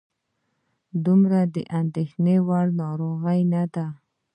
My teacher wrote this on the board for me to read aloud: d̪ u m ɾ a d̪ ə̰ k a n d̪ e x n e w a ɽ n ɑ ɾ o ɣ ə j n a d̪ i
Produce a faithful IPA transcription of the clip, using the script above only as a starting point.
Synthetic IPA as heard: d̪ u m ɾ a d̪ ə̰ ʔ a n d̪ e x n e w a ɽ n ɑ ɾ o ɣ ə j n a d̪ a